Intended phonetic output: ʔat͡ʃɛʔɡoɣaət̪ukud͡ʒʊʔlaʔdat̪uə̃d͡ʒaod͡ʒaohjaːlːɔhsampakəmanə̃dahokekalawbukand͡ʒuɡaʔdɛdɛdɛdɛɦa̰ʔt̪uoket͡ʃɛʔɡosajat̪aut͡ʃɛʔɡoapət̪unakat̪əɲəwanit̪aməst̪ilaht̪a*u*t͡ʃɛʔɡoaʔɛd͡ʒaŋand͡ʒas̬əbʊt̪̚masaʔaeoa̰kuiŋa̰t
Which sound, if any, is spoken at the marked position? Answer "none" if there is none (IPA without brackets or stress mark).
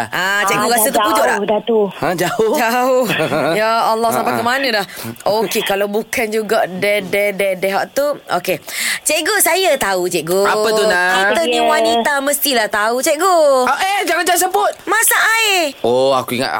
u